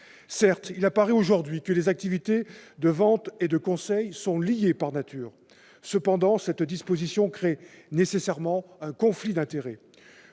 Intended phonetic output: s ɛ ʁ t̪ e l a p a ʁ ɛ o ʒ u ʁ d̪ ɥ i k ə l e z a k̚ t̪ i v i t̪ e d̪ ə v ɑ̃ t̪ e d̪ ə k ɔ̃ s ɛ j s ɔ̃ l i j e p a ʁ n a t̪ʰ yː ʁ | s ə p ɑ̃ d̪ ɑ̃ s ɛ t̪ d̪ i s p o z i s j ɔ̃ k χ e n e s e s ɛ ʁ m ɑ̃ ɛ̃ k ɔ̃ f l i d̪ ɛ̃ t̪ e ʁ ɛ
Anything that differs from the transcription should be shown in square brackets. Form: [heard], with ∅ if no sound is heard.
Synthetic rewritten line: s ɛ ʁ t̪ [i] l a p a ʁ ɛ o ʒ u ʁ d̪ ɥ i k ə l e z a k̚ t̪ i v i t̪ e d̪ ə v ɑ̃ t̪ e d̪ ə k ɔ̃ s ɛ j s ɔ̃ l i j e p a ʁ n a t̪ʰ yː ʁ | s ə p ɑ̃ d̪ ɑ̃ s ɛ t̪ d̪ i s p o z i s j ɔ̃ k χ e n e s e s ɛ ʁ m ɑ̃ ɛ̃ k ɔ̃ f l i d̪ ɛ̃ t̪ e ʁ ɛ